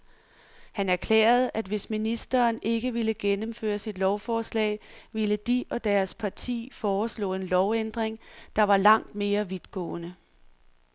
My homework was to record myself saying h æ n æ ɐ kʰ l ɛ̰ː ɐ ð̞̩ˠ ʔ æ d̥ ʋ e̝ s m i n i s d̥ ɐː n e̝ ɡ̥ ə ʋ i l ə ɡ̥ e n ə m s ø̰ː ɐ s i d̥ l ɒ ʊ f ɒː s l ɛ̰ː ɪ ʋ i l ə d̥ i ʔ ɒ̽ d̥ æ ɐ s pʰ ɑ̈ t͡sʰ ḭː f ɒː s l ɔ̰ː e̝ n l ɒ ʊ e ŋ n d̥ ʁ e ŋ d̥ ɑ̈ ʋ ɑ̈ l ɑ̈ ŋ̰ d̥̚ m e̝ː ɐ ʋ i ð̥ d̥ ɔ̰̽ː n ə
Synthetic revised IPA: h æ n æ ɐ kʰ l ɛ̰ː ɐ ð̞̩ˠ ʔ æ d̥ ʋ e̝ s m i n i s d̥ ɐː n e̝ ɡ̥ ə ʋ i l ə ɡ̥ e n ə m f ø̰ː ɐ s i d̥ l ɒ ʊ f ɒː s l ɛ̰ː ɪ ʋ i l ə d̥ i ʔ ɒ̽ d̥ æ ɐ s pʰ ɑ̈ t͡sʰ ḭː f ɒː s l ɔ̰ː e̝ n l ɒ ʊ e n d̥ ʁ e ŋ d̥ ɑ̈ ʋ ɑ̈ l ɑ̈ ŋ̰ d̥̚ m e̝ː ɐ ʋ i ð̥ ɡ̥ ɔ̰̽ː n ə